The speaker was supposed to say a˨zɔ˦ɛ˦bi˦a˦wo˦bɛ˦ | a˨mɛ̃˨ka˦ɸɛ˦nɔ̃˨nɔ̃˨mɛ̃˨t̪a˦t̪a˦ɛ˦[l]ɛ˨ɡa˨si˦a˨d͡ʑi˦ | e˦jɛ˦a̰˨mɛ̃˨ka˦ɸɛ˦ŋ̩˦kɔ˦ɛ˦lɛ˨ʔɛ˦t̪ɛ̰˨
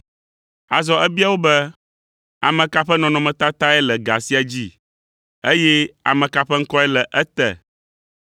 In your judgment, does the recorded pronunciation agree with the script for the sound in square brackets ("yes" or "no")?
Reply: yes